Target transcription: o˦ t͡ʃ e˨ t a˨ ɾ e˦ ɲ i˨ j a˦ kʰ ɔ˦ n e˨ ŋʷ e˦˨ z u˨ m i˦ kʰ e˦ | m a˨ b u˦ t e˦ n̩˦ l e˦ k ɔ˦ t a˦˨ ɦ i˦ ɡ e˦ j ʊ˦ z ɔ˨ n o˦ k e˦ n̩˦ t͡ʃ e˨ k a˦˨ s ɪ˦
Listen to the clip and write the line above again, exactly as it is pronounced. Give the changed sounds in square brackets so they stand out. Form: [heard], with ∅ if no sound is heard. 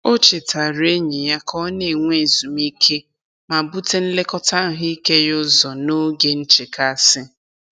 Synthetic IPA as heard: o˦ t͡ʃ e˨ t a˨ ɾ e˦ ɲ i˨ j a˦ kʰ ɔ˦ n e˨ ŋʷ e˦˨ z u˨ m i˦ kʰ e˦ | m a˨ b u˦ t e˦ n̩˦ l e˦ k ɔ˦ t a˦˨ ɦ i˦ [k] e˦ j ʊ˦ z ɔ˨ n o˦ [ɡ] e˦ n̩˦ t͡ʃ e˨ k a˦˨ s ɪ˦